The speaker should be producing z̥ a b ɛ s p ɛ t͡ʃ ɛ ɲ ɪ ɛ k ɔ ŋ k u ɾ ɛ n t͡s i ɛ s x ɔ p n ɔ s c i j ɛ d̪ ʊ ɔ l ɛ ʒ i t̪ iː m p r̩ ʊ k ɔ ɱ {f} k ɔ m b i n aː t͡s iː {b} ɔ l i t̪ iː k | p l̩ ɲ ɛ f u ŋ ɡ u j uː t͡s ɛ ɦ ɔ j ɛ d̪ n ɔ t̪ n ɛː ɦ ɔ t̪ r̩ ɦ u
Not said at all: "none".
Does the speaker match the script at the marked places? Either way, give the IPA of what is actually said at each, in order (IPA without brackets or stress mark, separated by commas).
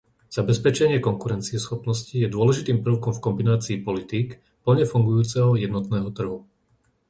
f, p